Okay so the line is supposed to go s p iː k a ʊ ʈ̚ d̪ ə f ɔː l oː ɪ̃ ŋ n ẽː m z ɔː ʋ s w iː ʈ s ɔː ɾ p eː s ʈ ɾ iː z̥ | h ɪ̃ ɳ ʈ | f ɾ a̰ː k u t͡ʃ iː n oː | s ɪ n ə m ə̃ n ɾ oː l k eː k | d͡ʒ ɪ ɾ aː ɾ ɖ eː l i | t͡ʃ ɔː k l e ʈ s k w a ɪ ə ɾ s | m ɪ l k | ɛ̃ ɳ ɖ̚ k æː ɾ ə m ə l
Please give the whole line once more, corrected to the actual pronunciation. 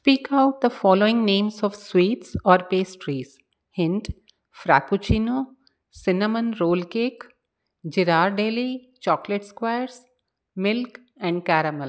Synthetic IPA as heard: s p iː k a ʊ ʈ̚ d̪ ə f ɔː l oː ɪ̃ ŋ n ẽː m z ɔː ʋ s w iː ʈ s ɔː ɾ p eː s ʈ ɾ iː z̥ | h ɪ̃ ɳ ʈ | f ɾ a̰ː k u t͡ʃ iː n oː | s ɪ n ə m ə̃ n ɾ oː l k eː k | d͡ʒ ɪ ɾ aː ɾ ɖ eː l i | t͡ʃ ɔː k l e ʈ s k w a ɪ ə ɾ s | m ɪ l k | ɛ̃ ɳ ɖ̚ k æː ɾ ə m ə l